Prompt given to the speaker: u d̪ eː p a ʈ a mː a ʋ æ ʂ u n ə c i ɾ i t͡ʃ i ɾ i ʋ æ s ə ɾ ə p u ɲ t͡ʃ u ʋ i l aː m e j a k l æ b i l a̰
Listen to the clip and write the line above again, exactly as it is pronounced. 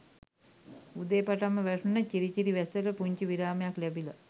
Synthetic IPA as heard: u d̪ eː p a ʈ a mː ə ʋ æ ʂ u n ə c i ɾ i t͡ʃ i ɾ i ʋ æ s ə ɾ ə p u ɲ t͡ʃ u ʋ i ɾ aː m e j a k l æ b i l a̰